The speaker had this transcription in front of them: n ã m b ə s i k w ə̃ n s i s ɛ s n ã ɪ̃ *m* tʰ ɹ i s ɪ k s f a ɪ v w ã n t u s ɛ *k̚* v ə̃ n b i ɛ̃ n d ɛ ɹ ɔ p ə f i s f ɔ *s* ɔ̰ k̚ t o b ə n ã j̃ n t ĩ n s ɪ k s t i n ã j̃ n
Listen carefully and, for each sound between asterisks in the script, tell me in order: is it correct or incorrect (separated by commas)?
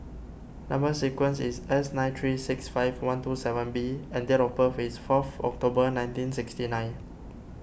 incorrect, incorrect, incorrect